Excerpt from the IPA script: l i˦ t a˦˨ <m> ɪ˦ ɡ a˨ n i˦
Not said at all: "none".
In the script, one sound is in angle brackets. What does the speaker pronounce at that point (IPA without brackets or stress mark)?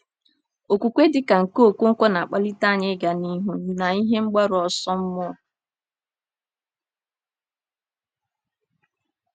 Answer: ɲ